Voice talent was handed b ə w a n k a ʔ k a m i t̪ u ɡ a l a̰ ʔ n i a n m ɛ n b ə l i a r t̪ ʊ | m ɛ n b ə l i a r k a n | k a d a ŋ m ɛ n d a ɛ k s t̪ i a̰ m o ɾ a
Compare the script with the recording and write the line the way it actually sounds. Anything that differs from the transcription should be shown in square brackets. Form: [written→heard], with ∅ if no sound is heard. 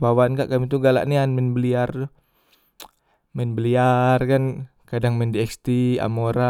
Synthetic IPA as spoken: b [ə→a] w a n k a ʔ k a m i t̪ u ɡ a l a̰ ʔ n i a n m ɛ n b ə l i a r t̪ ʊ | m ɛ n b ə l i a r k a n | k a d a ŋ m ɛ n d [a→i] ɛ k s t̪ i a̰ m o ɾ a